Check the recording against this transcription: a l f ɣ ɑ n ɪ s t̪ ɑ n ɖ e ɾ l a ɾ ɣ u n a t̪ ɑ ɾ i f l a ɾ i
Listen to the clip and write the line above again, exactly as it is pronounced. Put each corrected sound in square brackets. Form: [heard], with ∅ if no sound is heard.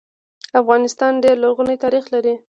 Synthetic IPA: a [∅] f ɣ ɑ n ɪ s t̪ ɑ n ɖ e ɾ l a ɾ ɣ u n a t̪ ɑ ɾ i [x] l a ɾ i